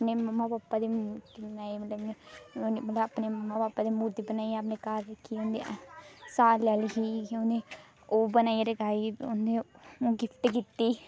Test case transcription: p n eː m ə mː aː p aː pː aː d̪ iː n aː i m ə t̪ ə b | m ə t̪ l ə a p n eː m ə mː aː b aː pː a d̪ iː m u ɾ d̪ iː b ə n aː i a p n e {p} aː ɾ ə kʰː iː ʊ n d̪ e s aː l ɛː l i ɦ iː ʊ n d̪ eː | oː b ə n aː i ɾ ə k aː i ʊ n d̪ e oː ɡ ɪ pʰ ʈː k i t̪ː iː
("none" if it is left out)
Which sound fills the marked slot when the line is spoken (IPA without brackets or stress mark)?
k